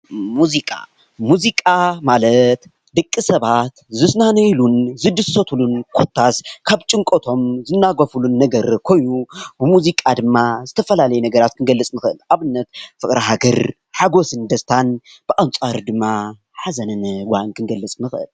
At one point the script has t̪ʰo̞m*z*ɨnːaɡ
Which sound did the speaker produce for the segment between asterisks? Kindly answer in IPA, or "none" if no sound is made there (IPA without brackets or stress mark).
z